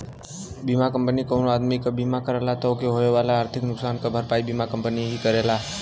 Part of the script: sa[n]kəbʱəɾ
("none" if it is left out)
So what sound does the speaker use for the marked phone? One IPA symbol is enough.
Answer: n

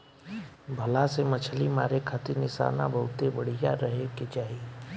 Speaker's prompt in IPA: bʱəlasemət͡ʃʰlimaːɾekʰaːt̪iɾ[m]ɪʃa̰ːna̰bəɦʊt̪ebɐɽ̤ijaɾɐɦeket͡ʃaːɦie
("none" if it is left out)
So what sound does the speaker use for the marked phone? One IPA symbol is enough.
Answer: n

